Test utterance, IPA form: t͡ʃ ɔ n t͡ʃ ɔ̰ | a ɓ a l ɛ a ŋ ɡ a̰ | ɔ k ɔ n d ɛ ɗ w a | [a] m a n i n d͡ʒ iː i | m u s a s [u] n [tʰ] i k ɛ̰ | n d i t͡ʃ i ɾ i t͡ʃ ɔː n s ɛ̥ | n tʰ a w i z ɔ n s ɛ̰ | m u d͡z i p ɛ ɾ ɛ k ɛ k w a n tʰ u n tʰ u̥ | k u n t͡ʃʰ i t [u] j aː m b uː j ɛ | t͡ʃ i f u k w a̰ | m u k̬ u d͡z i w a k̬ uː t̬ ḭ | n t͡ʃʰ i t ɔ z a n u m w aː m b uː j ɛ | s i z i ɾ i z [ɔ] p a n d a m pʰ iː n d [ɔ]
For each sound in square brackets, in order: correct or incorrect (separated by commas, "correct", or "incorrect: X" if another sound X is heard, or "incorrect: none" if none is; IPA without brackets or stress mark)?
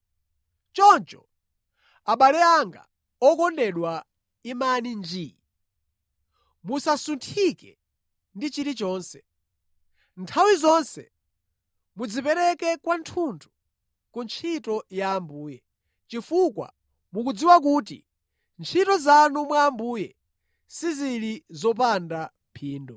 incorrect: i, correct, correct, incorrect: ɔ, correct, correct